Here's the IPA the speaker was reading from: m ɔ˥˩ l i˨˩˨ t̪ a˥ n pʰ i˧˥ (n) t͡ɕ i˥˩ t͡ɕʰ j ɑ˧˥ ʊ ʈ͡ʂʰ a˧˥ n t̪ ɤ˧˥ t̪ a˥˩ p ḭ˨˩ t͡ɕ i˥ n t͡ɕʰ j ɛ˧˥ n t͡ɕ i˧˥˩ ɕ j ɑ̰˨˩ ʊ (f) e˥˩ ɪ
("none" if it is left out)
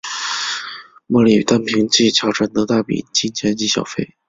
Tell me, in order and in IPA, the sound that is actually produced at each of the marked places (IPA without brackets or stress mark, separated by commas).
ŋ, f